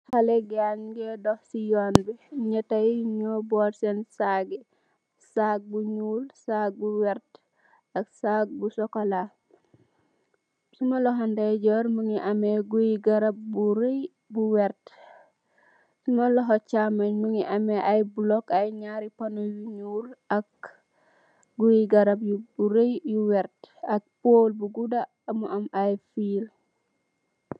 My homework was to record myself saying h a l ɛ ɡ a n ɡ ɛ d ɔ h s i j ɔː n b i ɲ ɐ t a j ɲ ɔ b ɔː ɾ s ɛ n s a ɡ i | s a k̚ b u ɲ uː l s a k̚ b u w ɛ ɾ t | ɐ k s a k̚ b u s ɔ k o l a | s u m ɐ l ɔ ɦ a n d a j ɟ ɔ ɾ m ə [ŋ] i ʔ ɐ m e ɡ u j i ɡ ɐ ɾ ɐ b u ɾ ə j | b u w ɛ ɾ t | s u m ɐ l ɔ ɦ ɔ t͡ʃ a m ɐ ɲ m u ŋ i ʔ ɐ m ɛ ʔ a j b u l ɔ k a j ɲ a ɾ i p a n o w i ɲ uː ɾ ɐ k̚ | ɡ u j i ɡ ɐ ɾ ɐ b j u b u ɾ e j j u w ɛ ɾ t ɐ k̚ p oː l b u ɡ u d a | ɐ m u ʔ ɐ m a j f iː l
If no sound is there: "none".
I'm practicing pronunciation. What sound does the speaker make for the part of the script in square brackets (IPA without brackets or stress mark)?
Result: ŋ